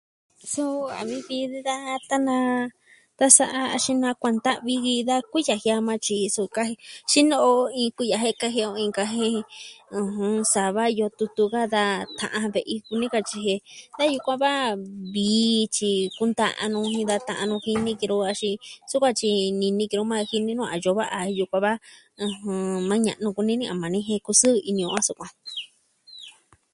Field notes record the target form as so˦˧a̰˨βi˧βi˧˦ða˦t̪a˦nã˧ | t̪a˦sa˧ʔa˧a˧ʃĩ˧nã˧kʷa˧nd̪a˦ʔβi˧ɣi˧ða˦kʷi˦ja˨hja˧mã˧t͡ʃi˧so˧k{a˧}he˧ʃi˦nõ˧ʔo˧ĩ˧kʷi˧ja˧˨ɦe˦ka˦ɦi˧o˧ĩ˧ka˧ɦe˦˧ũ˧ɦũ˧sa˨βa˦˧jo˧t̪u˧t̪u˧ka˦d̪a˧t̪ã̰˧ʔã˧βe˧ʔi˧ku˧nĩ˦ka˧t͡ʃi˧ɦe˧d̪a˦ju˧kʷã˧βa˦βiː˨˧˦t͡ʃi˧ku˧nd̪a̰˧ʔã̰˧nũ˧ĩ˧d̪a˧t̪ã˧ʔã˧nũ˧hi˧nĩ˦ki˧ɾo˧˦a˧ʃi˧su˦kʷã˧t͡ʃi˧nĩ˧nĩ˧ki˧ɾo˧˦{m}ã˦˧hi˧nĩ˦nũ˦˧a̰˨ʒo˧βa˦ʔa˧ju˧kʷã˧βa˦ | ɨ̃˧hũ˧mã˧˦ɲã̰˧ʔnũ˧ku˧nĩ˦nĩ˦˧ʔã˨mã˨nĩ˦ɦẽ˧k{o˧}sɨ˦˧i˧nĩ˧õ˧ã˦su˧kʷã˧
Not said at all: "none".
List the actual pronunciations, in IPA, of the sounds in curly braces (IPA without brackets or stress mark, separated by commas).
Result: a˧, m, u˧